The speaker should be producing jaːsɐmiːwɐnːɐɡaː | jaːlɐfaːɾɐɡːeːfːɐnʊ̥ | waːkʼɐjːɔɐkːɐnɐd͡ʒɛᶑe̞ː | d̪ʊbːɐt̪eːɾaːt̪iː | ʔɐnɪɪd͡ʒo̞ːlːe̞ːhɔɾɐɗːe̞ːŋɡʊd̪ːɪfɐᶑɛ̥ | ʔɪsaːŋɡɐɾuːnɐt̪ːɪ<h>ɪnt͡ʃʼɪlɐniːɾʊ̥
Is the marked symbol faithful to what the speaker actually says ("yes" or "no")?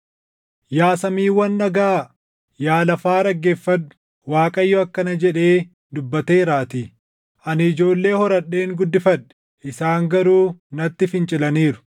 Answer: no